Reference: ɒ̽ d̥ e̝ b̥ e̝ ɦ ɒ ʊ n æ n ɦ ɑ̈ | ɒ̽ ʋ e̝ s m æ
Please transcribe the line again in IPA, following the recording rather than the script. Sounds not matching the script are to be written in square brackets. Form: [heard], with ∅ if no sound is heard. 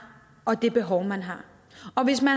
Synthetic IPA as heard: ɒ̽ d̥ e̝ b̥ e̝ ɦ ɒ ʊ [m] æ n ɦ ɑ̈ | ɒ̽ ʋ e̝ s m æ